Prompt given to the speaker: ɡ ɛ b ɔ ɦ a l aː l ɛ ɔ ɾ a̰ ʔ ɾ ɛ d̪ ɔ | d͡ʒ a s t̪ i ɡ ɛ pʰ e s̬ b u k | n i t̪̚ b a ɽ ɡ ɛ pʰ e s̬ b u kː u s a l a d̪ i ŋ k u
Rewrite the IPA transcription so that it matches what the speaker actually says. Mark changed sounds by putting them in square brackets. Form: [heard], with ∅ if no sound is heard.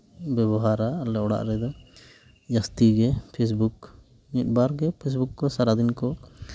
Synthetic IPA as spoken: [b] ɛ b ɔ ɦ a [ɾ] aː l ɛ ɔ [ɽ] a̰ ʔ ɾ ɛ d̪ ɔ | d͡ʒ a s t̪ i ɡ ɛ pʰ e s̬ b u k | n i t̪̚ b a [ɾ] ɡ ɛ pʰ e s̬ b u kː [ɔ] s a [ɾ] a d̪ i [n] k [ɔ]